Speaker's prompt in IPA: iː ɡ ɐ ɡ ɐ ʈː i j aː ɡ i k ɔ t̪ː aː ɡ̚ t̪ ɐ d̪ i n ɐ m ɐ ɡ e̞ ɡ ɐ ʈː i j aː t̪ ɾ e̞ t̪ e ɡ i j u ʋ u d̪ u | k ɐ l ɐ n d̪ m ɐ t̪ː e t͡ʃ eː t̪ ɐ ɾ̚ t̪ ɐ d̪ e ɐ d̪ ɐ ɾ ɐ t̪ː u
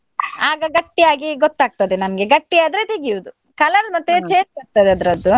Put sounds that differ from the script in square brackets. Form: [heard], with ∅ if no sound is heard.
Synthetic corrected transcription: [aː] ɡ ɐ ɡ ɐ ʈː i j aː ɡ i [ɡ] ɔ t̪ː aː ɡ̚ t̪ ɐ d̪ [e] n ɐ m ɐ ɡ e̞ ɡ ɐ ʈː i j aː [d̪] ɾ e̞ t̪ e ɡ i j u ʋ u d̪ u | k ɐ l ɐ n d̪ m ɐ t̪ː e t͡ʃ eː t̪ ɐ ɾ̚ t̪ ɐ d̪ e ɐ d̪ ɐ ɾ ɐ [d̪ː] u

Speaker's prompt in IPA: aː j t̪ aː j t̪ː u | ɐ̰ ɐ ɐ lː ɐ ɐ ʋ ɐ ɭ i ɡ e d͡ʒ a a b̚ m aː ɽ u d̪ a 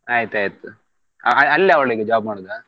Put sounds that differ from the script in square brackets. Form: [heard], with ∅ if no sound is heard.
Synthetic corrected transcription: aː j t̪ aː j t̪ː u | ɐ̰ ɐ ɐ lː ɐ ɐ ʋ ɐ ɭ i ɡ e d͡ʒ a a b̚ m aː ɽ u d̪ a

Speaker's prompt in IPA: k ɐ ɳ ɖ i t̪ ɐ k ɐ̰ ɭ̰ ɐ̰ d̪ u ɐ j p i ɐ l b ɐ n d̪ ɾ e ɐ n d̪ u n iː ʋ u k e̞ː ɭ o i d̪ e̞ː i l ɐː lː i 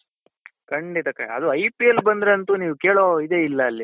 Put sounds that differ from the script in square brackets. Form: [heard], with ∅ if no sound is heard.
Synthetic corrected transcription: k ɐ ɳ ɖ i t̪ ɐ k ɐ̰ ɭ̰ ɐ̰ d̪ u ɐ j p i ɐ l b ɐ n d̪ ɾ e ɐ n [t̪] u n iː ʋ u k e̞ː ɭ o i d̪ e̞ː i [lː] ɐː lː i

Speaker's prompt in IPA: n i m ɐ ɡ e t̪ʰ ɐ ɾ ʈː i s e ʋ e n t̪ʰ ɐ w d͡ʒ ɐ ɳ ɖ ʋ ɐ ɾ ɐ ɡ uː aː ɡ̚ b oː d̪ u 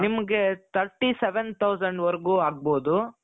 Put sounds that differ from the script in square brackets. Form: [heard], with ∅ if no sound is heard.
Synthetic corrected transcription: n i m ɐ ɡ e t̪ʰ ɐ ɾ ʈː i s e ʋ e n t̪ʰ ɐ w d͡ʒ ɐ ɳ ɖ ʋ ɐ ɾ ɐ ɡ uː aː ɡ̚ b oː d̪ u

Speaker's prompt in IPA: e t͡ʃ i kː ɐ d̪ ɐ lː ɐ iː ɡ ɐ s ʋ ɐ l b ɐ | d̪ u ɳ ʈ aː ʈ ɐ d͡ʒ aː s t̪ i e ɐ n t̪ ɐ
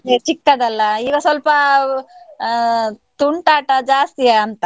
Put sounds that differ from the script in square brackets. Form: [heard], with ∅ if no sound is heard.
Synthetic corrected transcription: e t͡ʃ i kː ɐ d̪ ɐ lː ɐ iː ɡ ɐ s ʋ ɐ l [p] ɐ | [t̪] u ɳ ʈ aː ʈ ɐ d͡ʒ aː s t̪ i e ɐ n t̪ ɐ

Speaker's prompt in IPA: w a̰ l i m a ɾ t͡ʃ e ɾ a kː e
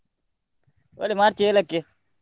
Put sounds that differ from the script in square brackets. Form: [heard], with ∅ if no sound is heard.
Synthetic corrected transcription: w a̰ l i m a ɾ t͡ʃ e [l] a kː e

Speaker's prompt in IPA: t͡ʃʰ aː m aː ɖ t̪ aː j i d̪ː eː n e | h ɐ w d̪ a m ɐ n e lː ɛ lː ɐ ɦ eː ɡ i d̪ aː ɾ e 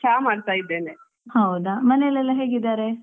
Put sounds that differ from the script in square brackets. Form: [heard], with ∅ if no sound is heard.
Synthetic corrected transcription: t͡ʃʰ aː m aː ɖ t̪ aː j i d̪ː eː n e | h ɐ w d̪ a m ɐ n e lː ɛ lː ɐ ɦ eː ɡ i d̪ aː ɾ e

